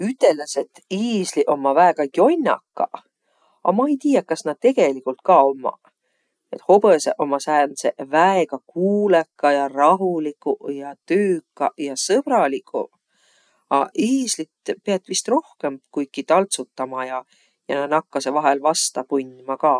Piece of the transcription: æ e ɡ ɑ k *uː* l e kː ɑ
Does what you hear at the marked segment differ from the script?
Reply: no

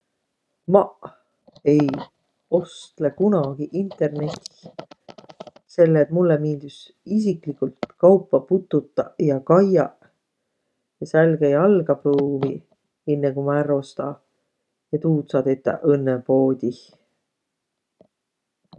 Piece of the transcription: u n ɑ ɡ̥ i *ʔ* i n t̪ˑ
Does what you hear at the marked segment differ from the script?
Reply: no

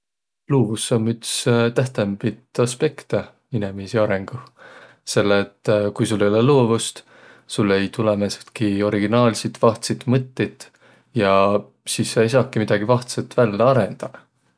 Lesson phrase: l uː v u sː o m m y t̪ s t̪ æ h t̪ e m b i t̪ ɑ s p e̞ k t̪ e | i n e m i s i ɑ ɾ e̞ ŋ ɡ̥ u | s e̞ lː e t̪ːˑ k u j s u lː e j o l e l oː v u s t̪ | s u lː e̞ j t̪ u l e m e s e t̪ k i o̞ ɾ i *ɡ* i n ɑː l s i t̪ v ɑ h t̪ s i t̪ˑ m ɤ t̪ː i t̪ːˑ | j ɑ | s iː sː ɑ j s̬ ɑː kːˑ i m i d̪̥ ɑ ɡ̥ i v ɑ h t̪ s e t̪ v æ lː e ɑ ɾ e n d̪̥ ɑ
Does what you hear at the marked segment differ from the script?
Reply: no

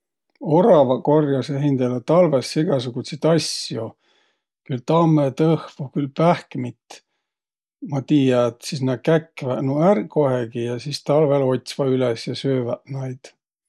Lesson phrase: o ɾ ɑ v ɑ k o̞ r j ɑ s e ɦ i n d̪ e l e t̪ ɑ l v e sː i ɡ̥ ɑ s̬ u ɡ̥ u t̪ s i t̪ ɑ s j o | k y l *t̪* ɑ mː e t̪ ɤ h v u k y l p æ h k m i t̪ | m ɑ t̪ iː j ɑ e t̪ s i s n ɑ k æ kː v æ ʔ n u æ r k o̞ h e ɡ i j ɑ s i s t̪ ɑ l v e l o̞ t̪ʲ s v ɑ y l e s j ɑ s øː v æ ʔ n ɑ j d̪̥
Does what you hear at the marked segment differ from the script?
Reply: no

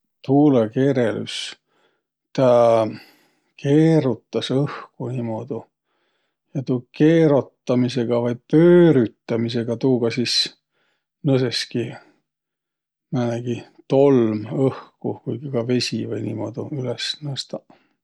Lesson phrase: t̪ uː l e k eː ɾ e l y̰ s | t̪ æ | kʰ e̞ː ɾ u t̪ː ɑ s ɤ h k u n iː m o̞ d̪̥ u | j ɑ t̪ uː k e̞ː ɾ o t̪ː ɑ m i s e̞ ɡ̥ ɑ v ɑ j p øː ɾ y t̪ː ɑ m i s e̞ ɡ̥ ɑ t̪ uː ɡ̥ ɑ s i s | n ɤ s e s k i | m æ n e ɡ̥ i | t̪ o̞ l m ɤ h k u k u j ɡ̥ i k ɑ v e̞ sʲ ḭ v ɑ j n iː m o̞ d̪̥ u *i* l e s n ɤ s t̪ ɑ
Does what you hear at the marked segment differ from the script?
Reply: yes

